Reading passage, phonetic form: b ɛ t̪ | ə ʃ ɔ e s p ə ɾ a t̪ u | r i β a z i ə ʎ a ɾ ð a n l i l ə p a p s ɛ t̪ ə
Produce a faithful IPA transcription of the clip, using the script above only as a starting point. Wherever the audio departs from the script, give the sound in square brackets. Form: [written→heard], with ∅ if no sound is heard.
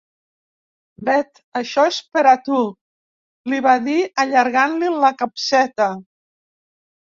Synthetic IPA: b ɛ t̪ | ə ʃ ɔ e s p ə ɾ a t̪ u | [r→l] i β a [z→ð] i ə ʎ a ɾ [ð→ɣ] a n l i l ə [p→k] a p s ɛ t̪ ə